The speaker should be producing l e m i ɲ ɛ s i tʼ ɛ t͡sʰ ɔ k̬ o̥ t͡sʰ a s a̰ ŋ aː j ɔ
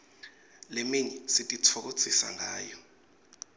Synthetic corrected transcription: l e m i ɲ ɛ s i tʼ i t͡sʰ ɔ k̬ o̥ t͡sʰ i s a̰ ŋ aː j ɔ